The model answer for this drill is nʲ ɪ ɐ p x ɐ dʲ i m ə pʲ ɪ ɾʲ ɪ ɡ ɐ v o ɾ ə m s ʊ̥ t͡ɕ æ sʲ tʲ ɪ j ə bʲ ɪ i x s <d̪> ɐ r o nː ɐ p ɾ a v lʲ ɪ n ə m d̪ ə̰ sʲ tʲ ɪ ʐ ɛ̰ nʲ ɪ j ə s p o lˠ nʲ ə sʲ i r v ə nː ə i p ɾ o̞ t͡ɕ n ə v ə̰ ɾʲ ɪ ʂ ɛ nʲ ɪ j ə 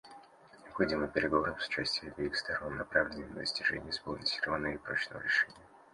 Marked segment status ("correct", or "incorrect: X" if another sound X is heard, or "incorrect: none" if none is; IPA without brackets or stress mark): incorrect: t̪